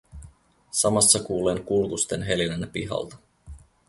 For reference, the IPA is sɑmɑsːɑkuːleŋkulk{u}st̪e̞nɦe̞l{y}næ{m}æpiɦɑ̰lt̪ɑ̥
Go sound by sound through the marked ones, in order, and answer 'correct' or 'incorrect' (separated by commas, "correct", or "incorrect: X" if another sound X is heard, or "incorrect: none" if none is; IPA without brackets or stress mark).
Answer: correct, incorrect: i, incorrect: n